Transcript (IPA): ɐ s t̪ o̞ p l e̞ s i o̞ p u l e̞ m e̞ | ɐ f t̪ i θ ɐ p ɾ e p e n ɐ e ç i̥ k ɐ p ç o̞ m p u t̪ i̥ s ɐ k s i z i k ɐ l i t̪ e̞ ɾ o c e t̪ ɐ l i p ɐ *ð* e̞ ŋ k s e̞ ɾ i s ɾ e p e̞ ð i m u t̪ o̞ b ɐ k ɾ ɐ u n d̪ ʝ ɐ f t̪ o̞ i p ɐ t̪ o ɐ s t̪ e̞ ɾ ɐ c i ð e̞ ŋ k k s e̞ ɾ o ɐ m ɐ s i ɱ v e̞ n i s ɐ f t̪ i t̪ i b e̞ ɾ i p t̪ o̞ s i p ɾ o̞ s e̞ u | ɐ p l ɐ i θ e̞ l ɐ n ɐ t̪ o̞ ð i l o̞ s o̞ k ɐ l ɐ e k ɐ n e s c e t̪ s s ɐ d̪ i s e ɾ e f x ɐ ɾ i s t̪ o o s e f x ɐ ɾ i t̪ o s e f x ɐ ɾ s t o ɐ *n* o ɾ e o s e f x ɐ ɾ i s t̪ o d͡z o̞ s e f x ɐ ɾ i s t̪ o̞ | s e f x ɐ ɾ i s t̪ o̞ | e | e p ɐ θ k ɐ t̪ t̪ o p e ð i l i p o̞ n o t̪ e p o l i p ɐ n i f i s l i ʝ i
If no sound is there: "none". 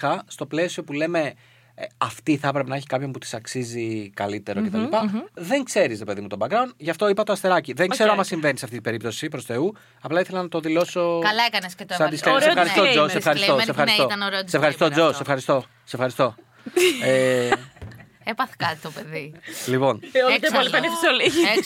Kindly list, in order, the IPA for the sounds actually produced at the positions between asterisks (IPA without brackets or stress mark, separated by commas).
ð, n